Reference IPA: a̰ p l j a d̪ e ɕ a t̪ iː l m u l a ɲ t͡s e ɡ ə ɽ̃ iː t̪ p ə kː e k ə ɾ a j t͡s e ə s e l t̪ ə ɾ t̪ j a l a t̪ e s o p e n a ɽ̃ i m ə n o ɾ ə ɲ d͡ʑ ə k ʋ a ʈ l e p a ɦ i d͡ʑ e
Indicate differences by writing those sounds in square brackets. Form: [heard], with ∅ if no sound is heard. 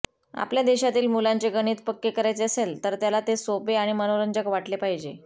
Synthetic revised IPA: a̰ p l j a d̪ e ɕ a t̪ iː l m u l a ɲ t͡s e ɡ ə ɽ̃ iː t̪ p ə kː e k ə ɾ a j t͡s e ə s e l t̪ ə ɾ t̪ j a l a t̪ e s o p e [∅] a ɽ̃ i m ə n o ɾ ə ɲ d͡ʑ ə k ʋ a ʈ l e p a ɦ i d͡ʑ e